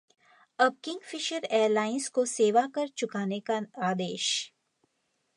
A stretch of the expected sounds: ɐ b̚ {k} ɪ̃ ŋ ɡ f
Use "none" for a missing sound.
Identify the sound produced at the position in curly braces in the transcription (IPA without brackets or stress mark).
k